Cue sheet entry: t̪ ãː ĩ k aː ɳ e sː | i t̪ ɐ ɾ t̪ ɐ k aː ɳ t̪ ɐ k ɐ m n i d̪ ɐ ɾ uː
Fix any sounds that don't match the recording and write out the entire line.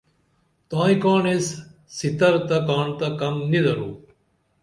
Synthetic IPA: t̪ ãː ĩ k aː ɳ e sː | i t̪ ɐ ɾ t̪ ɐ k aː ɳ t̪ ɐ k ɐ m n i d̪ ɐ ɾ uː